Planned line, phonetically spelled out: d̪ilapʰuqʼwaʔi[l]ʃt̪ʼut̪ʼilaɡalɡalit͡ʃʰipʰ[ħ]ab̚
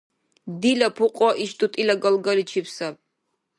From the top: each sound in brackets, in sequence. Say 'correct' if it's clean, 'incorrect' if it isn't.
incorrect: none, incorrect: s

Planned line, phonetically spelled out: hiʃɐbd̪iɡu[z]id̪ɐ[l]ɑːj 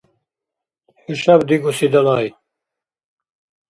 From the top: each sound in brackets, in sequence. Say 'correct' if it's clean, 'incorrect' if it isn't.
incorrect: s, correct

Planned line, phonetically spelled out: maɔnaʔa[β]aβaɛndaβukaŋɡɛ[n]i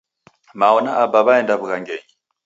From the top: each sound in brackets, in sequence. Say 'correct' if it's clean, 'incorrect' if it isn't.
incorrect: b, incorrect: ɲ

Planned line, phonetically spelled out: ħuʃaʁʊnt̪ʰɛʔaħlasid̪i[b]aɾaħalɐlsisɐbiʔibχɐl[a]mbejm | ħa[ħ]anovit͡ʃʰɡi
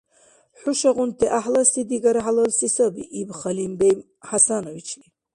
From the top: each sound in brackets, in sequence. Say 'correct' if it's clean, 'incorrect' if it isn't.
incorrect: ɡ, incorrect: i, incorrect: s

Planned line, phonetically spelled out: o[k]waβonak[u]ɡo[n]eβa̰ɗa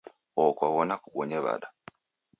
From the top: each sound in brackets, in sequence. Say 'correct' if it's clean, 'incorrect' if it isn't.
correct, correct, incorrect: ɲ

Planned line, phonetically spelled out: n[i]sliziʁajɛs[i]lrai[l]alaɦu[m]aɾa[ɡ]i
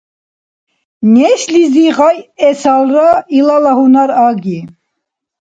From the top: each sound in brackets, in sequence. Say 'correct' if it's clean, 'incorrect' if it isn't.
incorrect: ɛ, incorrect: a, correct, incorrect: n, correct

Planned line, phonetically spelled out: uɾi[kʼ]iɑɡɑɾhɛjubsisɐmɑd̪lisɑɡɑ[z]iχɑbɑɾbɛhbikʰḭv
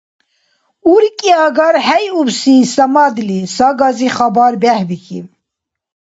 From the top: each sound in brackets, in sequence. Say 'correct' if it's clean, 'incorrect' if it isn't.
correct, correct

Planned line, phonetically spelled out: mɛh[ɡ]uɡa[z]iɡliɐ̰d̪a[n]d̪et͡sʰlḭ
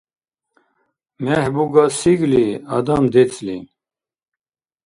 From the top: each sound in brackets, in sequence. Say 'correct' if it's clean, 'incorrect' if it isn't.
incorrect: b, incorrect: s, incorrect: m

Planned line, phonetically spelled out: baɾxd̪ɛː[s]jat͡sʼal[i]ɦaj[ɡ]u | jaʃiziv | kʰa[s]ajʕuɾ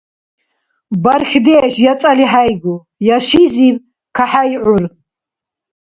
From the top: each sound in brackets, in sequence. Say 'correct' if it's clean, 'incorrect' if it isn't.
incorrect: ʃ, correct, correct, incorrect: ħ

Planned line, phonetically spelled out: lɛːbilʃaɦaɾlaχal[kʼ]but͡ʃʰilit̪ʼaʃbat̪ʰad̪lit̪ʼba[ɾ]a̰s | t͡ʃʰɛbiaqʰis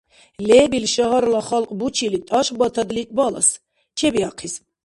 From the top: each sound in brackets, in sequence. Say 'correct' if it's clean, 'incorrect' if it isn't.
incorrect: qʼ, incorrect: l

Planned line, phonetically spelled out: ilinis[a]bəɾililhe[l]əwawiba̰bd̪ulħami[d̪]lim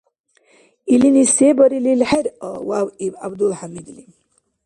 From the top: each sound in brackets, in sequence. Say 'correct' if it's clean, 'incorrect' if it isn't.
incorrect: e, incorrect: ɾ, correct

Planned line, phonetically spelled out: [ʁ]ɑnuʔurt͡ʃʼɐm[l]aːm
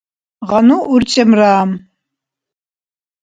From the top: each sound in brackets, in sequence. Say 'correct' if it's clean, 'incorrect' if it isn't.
correct, incorrect: r

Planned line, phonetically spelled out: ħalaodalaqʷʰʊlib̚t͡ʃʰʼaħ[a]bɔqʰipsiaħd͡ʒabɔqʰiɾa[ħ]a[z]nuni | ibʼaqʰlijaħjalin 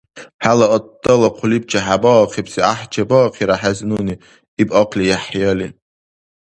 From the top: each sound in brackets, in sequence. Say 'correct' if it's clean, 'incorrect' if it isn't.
correct, correct, correct

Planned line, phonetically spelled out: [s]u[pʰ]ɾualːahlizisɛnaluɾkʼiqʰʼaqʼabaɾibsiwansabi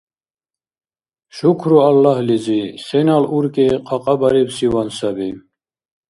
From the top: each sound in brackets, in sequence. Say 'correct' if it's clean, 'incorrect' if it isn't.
incorrect: ʃ, incorrect: kʰ

